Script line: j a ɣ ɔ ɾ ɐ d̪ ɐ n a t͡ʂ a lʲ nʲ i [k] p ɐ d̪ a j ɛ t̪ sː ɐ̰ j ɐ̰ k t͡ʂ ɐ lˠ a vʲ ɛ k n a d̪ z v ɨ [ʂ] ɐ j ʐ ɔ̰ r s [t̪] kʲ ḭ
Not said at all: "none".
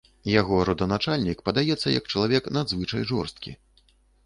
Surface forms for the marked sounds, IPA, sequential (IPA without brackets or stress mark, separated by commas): k, t͡ʂ, t̪